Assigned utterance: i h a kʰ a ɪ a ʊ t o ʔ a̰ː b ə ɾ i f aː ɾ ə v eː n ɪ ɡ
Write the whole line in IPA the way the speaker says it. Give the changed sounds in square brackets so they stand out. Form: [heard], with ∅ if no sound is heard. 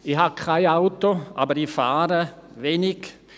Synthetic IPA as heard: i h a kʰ a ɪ a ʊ t o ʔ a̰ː b ə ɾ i f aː ɾ ə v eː n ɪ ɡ